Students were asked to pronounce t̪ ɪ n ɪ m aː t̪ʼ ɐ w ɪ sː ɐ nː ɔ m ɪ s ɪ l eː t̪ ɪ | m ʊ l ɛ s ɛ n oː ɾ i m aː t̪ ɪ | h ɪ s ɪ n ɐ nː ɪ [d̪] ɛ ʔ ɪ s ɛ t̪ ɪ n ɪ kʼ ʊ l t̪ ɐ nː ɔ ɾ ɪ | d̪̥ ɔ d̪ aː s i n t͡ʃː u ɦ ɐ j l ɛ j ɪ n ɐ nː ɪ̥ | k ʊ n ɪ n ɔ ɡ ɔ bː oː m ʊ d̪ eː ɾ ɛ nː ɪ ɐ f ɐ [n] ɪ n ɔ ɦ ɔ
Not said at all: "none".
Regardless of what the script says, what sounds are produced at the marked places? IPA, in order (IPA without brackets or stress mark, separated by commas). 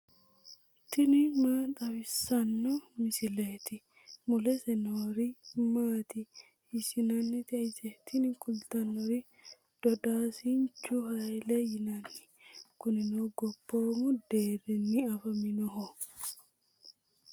t̪, m